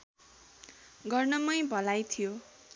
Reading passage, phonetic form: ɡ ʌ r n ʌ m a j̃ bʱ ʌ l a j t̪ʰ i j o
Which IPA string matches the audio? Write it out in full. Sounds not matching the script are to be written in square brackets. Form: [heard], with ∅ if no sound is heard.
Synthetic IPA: ɡ ʌ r n ʌ m [ʌ] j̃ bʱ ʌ l a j t̪ʰ i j o